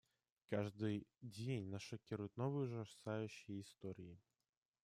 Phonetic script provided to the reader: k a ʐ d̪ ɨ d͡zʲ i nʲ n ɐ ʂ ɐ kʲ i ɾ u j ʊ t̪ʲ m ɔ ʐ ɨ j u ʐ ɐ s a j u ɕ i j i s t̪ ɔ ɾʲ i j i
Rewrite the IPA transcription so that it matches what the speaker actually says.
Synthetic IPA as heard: k a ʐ d̪ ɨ d͡zʲ e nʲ n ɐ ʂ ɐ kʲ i ɾ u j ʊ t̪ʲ n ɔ v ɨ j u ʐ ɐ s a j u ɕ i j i s t̪ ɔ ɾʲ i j i